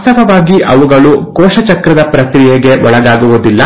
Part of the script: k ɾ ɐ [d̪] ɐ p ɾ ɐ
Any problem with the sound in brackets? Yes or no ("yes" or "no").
no